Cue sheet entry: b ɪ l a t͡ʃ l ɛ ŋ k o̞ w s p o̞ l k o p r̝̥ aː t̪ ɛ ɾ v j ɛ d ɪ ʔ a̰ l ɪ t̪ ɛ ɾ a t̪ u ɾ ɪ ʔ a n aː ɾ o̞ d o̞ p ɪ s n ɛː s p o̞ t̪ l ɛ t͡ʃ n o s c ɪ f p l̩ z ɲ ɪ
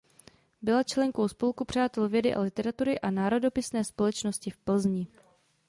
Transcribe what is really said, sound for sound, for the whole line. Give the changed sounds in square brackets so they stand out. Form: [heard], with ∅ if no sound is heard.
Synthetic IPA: b ɪ l a t͡ʃ l ɛ ŋ k o̞ w s p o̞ l k [u] p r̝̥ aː t̪ ɛ [l] v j ɛ d ɪ ʔ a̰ l ɪ t̪ ɛ ɾ a t̪ u ɾ ɪ ʔ a n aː ɾ o̞ d o̞ p ɪ s n ɛː s p o̞ [∅] l ɛ t͡ʃ n o s c ɪ f p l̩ z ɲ ɪ